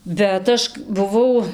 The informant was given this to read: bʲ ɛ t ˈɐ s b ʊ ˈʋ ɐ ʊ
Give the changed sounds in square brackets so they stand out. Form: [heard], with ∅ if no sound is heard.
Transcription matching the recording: bʲ ɛ t ˈɐ [ʃ] b ʊ ˈʋ ɐ ʊ